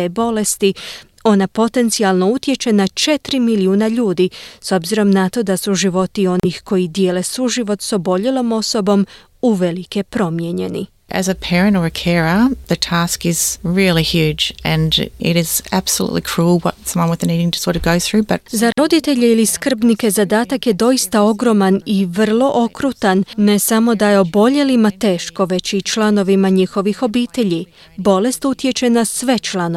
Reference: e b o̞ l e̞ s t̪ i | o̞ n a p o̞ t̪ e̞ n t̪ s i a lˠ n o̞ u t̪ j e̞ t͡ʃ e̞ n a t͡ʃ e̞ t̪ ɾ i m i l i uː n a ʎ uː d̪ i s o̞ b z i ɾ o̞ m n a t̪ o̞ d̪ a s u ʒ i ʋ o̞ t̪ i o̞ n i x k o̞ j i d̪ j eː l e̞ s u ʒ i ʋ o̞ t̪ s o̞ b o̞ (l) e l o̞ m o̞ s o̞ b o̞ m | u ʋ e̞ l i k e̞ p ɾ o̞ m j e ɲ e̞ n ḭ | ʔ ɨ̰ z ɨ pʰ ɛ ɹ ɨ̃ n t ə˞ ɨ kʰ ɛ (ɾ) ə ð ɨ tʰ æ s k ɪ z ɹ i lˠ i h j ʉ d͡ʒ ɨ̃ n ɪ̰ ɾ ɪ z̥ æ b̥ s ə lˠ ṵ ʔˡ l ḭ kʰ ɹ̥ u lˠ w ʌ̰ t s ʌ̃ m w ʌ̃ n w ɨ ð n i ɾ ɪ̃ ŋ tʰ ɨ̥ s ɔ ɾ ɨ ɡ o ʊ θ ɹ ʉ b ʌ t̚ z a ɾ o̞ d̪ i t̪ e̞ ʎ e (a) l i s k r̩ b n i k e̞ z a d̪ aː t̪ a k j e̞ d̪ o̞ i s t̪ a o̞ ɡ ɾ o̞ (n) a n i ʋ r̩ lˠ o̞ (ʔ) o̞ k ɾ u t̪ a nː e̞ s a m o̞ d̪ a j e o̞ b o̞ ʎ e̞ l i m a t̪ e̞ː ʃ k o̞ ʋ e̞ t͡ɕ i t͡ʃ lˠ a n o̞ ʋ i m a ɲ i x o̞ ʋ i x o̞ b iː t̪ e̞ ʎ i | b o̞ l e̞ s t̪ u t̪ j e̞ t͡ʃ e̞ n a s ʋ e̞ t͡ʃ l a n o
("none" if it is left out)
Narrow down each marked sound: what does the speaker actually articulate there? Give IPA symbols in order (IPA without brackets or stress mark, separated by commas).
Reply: ʎ, ɹ, i, m, ʔ